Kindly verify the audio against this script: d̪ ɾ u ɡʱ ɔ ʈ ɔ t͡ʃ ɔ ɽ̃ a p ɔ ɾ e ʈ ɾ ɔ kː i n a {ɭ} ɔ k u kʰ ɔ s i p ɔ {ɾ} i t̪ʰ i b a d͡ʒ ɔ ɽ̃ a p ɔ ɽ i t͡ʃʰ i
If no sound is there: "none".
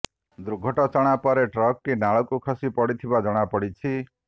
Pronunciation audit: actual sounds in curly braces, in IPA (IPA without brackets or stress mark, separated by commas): ɭ, ɽ